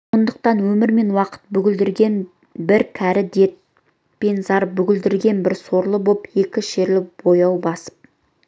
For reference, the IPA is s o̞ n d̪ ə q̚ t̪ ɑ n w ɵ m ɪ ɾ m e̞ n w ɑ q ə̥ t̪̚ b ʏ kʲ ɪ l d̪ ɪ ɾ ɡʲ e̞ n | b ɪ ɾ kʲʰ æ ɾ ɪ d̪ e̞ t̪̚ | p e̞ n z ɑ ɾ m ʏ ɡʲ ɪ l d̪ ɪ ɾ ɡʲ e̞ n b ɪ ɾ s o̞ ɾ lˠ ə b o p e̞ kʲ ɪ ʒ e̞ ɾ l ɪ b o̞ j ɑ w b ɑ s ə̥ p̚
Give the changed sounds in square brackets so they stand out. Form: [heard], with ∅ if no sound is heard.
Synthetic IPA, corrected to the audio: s o̞ n d̪ ə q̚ t̪ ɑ n w ɵ m ɪ ɾ m e̞ n w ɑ q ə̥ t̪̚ b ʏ [ɡʲ] ɪ l d̪ ɪ ɾ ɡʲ e̞ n | b ɪ ɾ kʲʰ æ ɾ ɪ d̪ e̞ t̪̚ | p e̞ n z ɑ ɾ [b] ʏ ɡʲ ɪ l d̪ ɪ ɾ ɡʲ e̞ n b ɪ ɾ s o̞ ɾ lˠ ə b o p e̞ kʲ ɪ [ʃ] e̞ ɾ l ɪ b o̞ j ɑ w b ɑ s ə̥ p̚

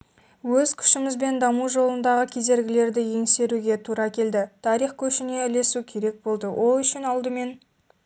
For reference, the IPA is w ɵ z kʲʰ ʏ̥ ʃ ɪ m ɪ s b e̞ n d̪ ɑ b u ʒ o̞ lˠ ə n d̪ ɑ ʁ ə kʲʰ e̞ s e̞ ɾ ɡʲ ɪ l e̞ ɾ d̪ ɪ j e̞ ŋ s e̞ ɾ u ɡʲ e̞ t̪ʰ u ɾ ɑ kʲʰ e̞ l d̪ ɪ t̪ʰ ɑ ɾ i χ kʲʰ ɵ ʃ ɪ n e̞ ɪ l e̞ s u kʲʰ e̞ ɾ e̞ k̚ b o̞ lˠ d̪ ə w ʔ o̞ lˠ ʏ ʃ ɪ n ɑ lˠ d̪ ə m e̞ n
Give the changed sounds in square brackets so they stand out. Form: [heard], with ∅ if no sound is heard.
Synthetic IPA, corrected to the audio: w ɵ z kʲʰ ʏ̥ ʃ ɪ m ɪ [z] b e̞ n d̪ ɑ [m] u ʒ o̞ lˠ ə n d̪ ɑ ʁ ə kʲʰ e̞ [z] e̞ ɾ ɡʲ ɪ l e̞ ɾ d̪ ɪ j e̞ ŋ s e̞ ɾ u ɡʲ e̞ t̪ʰ u ɾ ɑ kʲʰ e̞ l d̪ ɪ t̪ʰ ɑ ɾ i χ kʲʰ ɵ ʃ ɪ n e̞ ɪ l e̞ s u kʲʰ e̞ ɾ e̞ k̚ b o̞ lˠ d̪ ə w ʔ o̞ lˠ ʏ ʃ ɪ n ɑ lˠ d̪ ə m e̞ n

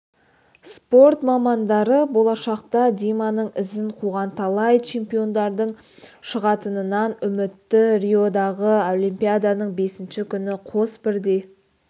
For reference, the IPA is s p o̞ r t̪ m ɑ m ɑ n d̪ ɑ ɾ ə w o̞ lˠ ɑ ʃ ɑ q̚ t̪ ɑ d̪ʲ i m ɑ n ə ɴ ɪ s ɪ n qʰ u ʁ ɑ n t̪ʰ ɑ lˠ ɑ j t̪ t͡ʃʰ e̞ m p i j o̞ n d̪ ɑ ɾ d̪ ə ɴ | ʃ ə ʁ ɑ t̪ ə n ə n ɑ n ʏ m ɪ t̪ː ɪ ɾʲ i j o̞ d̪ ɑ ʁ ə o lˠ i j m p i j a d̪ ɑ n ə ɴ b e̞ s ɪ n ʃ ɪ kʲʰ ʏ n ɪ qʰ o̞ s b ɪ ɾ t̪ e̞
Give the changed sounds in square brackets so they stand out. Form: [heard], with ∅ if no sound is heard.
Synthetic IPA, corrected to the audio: s p o̞ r t̪ m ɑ m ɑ n d̪ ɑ ɾ ə [b] o̞ lˠ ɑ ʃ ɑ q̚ t̪ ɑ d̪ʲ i m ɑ n ə ɴ ɪ [z] ɪ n qʰ u ʁ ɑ n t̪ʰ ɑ lˠ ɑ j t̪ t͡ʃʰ e̞ m p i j o̞ n d̪ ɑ ɾ d̪ ə ɴ | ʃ ə ʁ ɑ t̪ ə n ə n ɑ n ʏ m ɪ t̪ː ɪ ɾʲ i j o̞ d̪ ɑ ʁ ə o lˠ i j m p i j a d̪ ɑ n ə ɴ b e̞ s ɪ n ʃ ɪ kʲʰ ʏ n ɪ qʰ o̞ s b ɪ ɾ [d̪] e̞

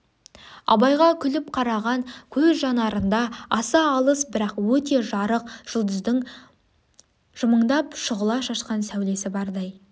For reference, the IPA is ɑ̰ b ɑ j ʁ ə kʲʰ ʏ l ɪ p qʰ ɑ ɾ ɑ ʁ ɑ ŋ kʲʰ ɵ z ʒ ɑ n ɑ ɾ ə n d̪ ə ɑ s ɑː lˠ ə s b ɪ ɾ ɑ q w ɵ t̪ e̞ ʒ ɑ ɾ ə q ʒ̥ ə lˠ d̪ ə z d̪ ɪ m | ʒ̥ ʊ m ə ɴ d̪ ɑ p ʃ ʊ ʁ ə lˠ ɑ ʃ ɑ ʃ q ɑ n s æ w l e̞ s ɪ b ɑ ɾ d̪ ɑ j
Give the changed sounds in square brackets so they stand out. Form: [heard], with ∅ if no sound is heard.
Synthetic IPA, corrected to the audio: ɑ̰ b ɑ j ʁ [ɑ] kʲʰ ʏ l ɪ p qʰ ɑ ɾ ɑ ʁ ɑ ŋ kʲʰ ɵ z ʒ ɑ n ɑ ɾ ə n d̪ [ɑ] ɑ s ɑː lˠ ə s b ɪ ɾ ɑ q w ɵ t̪ e̞ ʒ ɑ ɾ ə q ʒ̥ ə lˠ d̪ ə z d̪ ɪ [ŋ] | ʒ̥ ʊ m ə ɴ d̪ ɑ p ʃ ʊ ʁ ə lˠ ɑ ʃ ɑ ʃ q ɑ n s æ w l e̞ s ɪ b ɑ ɾ d̪ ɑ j

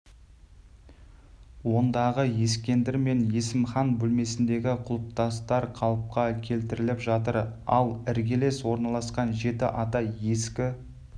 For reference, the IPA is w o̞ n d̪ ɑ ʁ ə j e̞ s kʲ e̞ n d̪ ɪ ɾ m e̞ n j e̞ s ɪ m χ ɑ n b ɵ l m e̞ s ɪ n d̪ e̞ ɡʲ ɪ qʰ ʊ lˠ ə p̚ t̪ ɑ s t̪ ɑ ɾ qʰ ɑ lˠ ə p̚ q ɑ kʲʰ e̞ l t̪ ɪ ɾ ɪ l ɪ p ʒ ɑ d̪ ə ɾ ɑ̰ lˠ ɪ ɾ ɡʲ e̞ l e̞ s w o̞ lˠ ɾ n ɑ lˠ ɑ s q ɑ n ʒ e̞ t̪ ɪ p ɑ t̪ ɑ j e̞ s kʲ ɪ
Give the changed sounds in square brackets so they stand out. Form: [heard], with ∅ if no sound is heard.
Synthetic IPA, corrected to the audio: w o̞ n d̪ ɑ ʁ ə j e̞ s kʲ e̞ n d̪ ɪ ɾ m e̞ n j e̞ s ɪ m χ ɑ n b ɵ l m e̞ s ɪ n d̪ e̞ ɡʲ ɪ qʰ ʊ lˠ ə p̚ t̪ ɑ s t̪ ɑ ɾ qʰ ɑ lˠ ə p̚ q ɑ kʲʰ e̞ l t̪ ɪ ɾ ɪ l ɪ p ʒ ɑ [t̪] ə ɾ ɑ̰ lˠ ɪ ɾ ɡʲ e̞ l e̞ s w o̞ [∅] ɾ n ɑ lˠ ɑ s q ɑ n ʒ e̞ t̪ ɪ [ʔ] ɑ t̪ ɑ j e̞ s kʲ ɪ

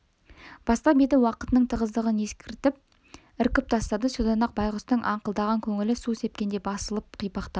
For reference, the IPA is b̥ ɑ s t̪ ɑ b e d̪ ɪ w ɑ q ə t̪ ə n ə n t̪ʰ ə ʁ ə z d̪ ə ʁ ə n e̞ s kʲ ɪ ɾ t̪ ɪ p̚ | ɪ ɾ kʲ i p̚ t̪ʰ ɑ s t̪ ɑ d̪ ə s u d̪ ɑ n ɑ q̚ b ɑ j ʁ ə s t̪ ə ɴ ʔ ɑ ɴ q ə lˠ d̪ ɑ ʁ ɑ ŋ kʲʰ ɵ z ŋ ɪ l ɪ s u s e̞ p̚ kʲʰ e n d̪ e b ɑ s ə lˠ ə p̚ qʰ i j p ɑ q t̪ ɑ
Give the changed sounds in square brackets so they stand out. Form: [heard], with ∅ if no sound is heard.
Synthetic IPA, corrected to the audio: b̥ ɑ s t̪ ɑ b e d̪ ɪ w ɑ q ə t̪ ə n ə [ɴ] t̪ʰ ə ʁ ə z d̪ ə ʁ ə n e̞ s kʲ ɪ ɾ t̪ ɪ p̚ | ɪ ɾ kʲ [ɪ] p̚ t̪ʰ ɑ s t̪ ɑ d̪ ə s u d̪ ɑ n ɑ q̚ b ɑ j ʁ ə s t̪ ə ɴ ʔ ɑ ɴ q ə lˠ d̪ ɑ ʁ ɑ ŋ kʲʰ ɵ [∅] ŋ ɪ l ɪ s u s e̞ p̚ [kʲ] e n d̪ e b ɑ s ə lˠ ə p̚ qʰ i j p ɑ q t̪ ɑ

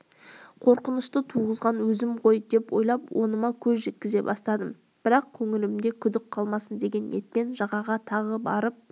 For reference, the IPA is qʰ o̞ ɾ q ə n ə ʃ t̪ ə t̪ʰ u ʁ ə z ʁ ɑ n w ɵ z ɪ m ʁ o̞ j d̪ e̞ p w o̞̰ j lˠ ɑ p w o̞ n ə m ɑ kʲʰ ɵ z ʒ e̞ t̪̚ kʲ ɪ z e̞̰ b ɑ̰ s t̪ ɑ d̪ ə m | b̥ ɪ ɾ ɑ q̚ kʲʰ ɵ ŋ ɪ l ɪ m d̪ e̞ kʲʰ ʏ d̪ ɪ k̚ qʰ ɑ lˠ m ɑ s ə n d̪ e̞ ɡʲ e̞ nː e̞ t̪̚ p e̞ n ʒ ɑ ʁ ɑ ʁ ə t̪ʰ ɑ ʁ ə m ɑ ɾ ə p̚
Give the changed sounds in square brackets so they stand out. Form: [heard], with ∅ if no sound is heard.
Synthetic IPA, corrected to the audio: qʰ o̞ ɾ q ə n ə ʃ t̪ ə t̪ʰ u ʁ ə z ʁ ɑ n w ɵ z ɪ m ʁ o̞ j d̪ e̞ p w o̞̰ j lˠ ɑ p w o̞ n ə m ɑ kʲʰ ɵ z ʒ e̞ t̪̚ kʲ ɪ z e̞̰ b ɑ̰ s t̪ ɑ d̪ ə m | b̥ ɪ ɾ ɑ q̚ kʲʰ ɵ ŋ ɪ l ɪ m d̪ e̞ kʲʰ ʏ d̪ ɪ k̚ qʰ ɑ lˠ m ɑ s ə n d̪ e̞ ɡʲ e̞ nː e̞ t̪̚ p e̞ n ʒ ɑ ʁ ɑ ʁ [ɑ] t̪ʰ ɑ ʁ ə [b] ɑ ɾ ə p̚

